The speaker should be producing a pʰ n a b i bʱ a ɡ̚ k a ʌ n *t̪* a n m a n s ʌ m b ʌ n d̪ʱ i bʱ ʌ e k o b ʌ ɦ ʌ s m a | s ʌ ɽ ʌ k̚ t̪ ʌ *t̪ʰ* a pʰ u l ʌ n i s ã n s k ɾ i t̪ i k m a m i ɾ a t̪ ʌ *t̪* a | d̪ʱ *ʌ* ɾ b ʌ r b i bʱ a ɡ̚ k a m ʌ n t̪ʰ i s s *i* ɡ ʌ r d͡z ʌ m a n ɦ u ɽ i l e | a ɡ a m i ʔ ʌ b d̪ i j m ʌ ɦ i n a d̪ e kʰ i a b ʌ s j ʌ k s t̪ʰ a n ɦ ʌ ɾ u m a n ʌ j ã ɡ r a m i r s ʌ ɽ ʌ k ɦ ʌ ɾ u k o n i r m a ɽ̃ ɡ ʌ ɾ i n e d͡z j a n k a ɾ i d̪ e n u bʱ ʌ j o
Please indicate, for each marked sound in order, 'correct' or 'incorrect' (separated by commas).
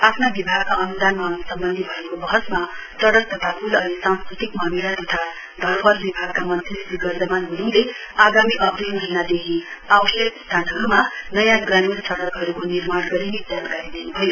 incorrect, correct, incorrect, correct, correct